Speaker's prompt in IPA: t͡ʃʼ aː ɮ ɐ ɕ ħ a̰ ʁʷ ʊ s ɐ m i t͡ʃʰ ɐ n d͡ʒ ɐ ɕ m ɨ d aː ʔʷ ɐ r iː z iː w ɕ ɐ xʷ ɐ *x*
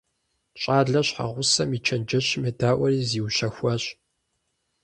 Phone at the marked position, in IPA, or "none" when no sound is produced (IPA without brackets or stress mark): ɕ